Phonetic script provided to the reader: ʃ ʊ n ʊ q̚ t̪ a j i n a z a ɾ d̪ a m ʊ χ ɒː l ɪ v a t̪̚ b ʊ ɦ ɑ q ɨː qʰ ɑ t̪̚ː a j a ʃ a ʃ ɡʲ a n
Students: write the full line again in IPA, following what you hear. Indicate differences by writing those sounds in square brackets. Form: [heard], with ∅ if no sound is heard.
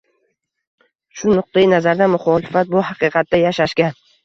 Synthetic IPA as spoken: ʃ ʊ n ʊ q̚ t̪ a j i n a z a ɾ d̪ a m ʊ χ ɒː l ɪ [f] a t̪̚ b ʊ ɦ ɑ q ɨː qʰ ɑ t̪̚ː a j a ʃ a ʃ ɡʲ a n